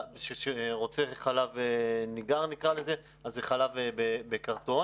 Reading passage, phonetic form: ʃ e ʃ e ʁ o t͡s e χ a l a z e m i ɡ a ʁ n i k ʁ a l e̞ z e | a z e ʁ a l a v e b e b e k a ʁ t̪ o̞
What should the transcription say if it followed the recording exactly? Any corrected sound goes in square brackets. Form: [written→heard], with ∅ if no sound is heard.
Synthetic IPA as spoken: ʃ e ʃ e ʁ o t͡s e χ a l a [z→v] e [m→n] i ɡ a ʁ n i k ʁ a l e̞ z e | a z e [ʁ→χ] a l a v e b e b e k a ʁ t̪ o̞